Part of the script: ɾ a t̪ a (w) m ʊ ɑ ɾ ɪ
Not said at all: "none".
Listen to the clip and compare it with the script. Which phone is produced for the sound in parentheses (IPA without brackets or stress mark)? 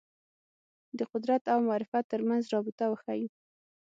w